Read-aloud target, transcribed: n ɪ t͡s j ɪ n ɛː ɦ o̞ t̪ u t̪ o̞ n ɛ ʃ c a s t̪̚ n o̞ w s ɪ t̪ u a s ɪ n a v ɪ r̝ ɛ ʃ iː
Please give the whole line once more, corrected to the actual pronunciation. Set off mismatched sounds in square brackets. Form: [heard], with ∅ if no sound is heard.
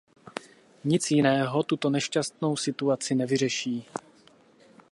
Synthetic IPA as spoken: [ɲ] ɪ t͡s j ɪ n ɛː ɦ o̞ t̪ u t̪ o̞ n ɛ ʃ c a s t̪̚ n o̞ w s ɪ t̪ u a [t͡s] ɪ n [ɛ] v ɪ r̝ ɛ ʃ iː